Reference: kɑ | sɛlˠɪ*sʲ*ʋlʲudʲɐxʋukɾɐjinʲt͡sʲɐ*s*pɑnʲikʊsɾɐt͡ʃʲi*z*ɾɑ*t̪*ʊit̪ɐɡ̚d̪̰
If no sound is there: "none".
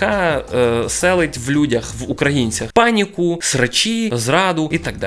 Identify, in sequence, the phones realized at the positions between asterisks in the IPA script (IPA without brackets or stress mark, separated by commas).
tʲ, x, z, d̪